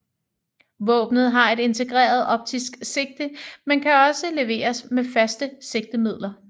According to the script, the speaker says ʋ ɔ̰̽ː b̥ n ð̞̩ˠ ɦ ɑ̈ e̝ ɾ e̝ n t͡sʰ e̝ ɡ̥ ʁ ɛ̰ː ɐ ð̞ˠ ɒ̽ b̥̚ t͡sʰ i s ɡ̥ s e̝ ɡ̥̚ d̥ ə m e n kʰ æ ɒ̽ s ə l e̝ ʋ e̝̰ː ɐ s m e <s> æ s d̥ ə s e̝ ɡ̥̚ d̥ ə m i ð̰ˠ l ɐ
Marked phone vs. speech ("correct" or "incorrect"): incorrect